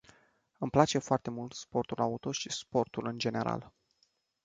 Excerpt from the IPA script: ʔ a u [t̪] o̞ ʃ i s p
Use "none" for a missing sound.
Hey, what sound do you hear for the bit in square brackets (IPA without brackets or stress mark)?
t̪